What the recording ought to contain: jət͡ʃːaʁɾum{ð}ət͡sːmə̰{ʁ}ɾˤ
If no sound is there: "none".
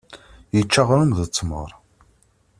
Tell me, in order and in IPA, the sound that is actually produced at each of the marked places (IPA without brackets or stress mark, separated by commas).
ð, none